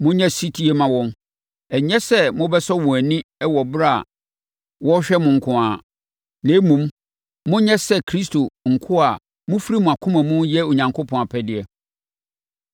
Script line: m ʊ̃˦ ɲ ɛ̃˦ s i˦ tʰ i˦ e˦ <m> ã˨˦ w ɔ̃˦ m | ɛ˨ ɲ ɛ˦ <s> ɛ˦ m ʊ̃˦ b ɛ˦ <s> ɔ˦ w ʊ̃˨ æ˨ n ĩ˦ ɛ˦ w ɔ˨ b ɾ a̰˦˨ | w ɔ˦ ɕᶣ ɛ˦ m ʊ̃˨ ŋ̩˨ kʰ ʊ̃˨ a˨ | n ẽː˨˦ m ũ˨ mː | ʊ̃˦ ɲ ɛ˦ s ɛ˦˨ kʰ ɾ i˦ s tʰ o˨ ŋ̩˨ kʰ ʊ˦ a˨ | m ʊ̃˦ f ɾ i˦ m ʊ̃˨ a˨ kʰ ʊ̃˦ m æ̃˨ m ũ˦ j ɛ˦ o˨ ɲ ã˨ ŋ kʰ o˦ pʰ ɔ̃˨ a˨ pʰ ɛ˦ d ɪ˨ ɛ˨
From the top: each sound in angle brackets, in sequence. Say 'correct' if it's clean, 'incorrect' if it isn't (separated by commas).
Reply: correct, correct, correct